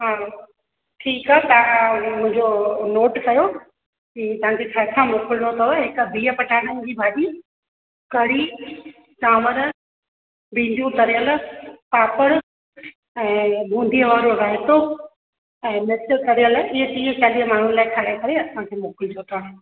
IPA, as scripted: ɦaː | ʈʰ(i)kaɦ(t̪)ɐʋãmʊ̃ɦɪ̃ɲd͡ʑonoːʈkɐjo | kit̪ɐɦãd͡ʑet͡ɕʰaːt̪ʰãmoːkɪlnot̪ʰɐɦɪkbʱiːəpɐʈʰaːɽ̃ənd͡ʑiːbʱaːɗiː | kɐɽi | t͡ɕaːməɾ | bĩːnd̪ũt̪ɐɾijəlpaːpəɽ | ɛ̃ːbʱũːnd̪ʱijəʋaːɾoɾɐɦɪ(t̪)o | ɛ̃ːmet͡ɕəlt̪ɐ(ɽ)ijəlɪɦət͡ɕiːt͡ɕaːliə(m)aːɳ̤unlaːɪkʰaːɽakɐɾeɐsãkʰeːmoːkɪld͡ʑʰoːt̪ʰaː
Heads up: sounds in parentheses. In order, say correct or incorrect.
incorrect: iː, correct, correct, incorrect: ɾ, correct

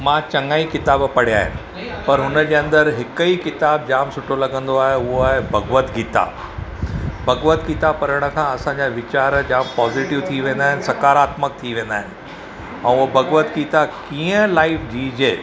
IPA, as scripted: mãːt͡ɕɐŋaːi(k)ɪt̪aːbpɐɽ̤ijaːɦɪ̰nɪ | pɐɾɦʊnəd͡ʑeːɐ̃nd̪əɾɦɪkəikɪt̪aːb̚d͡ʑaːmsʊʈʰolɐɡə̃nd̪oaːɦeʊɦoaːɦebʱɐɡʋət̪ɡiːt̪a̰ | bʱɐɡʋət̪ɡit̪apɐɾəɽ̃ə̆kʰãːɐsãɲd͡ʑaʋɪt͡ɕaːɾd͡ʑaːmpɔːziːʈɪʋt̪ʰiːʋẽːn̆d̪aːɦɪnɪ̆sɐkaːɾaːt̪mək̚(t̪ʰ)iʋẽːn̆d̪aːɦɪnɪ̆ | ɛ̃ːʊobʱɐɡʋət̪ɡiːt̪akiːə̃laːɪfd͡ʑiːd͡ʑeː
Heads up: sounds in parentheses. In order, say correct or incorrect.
correct, correct

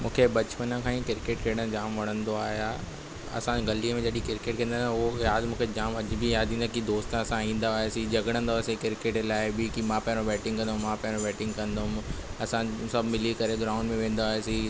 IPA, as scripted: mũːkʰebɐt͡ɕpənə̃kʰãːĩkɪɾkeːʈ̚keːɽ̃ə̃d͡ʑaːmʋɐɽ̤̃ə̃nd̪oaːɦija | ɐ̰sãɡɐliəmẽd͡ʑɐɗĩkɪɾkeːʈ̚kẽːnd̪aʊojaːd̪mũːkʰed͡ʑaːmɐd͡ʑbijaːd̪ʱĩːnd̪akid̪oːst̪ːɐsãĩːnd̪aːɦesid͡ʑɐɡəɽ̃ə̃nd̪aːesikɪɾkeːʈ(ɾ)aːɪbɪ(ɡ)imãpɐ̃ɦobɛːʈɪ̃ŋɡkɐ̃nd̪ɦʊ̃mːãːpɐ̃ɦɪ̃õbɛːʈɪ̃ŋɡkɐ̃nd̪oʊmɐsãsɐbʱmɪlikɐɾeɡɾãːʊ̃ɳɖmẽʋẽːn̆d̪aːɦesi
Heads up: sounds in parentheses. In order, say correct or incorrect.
incorrect: l, incorrect: k

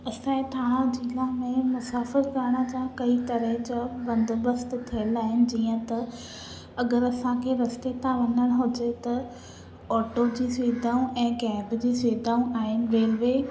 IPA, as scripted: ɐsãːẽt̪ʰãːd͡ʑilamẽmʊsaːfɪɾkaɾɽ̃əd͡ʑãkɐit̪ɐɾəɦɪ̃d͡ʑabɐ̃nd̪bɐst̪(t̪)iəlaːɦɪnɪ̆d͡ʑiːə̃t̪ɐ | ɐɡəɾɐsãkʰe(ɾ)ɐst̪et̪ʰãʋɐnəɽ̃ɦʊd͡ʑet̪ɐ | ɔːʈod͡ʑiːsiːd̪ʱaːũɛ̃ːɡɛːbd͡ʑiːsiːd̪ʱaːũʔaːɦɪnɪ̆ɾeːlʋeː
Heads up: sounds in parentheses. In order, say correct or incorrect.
incorrect: t̪ʰ, correct

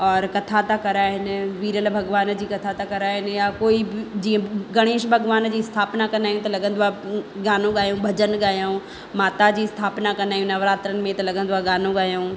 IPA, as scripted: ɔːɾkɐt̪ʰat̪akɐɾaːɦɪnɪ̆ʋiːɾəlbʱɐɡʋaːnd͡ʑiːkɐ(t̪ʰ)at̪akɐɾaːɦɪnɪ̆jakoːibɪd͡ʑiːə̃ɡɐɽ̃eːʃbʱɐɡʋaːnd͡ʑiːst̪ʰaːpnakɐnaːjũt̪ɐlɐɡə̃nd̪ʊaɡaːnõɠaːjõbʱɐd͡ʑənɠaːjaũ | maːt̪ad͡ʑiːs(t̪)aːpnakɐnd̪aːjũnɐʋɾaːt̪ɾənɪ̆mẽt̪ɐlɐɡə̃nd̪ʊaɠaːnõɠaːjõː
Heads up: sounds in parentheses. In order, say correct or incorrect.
correct, incorrect: t̪ʰ

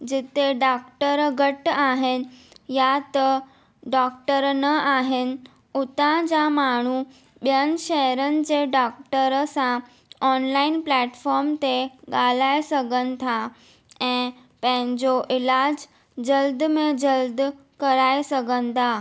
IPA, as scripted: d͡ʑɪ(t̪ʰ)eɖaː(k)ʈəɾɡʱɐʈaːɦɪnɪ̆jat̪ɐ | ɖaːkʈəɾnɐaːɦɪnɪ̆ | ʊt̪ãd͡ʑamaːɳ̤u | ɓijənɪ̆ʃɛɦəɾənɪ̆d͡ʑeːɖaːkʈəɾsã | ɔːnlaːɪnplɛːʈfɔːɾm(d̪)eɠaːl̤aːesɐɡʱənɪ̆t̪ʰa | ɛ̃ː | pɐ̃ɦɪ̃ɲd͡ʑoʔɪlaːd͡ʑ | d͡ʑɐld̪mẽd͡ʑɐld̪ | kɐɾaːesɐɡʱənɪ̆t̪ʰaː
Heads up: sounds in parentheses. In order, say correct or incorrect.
incorrect: t̪, correct, incorrect: t̪

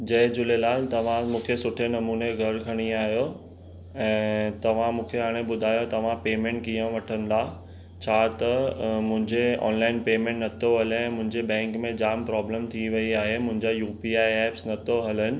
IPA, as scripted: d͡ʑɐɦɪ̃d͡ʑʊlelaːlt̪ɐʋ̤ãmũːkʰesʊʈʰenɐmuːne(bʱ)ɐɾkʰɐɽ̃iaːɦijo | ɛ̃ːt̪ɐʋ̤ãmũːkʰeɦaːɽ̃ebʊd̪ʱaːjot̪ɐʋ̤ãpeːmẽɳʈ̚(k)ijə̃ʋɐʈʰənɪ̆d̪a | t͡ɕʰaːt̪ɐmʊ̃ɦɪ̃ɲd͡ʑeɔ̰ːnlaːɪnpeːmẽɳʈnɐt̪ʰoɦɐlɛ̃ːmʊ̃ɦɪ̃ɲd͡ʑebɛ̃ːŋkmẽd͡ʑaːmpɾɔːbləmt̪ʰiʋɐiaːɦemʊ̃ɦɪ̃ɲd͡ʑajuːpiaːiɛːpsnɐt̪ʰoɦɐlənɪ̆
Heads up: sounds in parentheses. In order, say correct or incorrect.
incorrect: ɡʱ, correct

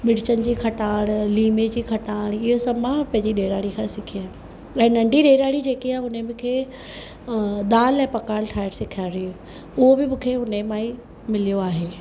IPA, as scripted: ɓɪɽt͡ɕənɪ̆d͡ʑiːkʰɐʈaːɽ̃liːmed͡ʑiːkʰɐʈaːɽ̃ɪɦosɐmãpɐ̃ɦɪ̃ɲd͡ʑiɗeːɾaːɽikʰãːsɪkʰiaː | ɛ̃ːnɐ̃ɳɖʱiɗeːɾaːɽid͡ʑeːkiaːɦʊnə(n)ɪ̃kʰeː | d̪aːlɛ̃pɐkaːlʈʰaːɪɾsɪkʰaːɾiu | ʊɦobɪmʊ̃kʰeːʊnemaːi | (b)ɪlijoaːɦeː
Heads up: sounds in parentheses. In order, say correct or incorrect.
incorrect: m, incorrect: m

